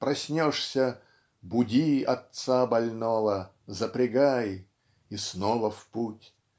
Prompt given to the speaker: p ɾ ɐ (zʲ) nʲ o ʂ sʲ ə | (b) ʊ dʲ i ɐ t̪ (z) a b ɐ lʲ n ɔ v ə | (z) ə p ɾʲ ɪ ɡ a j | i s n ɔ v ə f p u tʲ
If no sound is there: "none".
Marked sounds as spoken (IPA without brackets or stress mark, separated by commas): sʲ, b, s, z